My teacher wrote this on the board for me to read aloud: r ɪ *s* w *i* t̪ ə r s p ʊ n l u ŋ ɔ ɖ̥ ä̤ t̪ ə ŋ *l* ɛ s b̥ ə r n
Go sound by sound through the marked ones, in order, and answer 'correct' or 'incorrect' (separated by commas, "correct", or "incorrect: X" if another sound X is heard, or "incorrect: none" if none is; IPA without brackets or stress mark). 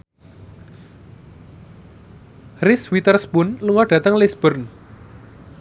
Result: correct, correct, correct